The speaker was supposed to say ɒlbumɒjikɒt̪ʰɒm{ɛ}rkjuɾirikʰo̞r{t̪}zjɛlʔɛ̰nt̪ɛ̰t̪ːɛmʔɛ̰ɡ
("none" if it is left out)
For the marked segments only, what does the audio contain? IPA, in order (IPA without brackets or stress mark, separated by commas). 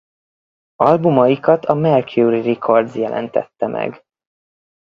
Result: ɛ, d̪